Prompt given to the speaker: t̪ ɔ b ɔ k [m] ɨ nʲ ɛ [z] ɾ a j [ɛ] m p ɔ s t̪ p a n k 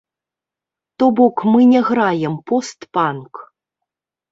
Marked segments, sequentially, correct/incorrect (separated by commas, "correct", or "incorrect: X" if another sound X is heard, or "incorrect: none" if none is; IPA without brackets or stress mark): correct, incorrect: ɣ, correct